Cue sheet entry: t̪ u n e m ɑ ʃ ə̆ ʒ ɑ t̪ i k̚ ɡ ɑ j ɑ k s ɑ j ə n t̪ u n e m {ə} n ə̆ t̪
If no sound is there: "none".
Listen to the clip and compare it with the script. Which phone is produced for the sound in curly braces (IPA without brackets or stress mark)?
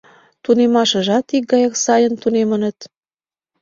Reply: ə